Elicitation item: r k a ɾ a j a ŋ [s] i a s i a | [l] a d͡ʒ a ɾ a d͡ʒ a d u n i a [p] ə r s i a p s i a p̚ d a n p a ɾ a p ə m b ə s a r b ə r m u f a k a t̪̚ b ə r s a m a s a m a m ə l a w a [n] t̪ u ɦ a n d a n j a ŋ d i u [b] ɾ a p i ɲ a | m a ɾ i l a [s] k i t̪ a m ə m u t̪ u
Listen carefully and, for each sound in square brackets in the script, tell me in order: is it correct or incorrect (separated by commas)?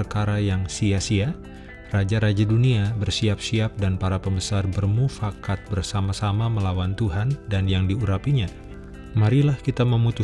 correct, incorrect, incorrect, correct, incorrect, incorrect